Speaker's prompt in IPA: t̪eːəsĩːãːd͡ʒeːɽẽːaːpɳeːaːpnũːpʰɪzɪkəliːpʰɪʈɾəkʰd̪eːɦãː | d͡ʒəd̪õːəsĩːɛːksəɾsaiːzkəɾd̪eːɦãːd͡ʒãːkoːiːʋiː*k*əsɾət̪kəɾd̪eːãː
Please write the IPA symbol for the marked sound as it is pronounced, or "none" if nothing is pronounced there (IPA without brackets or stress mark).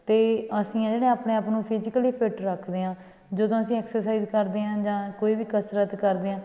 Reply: k